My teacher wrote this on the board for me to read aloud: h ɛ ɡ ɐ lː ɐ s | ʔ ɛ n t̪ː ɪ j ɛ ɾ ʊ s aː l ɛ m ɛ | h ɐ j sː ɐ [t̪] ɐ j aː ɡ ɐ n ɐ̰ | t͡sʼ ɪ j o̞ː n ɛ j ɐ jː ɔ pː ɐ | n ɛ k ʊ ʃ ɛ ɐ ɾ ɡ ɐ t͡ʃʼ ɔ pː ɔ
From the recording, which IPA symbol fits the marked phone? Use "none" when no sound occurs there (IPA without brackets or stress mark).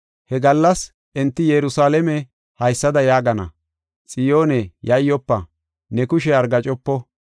d̪